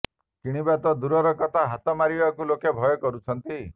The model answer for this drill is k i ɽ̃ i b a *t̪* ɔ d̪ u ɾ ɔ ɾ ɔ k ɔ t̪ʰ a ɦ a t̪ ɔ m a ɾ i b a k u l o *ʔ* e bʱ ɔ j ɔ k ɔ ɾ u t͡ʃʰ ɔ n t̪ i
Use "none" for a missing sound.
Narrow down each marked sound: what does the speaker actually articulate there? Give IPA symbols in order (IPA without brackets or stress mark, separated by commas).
t̪, k